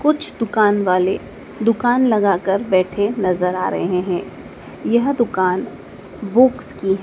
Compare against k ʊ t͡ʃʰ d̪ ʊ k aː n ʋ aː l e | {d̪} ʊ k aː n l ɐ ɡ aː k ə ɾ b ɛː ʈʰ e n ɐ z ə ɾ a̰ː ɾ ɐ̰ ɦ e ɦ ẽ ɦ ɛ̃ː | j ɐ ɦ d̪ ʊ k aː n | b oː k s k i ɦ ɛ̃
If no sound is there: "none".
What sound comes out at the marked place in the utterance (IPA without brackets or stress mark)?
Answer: d̪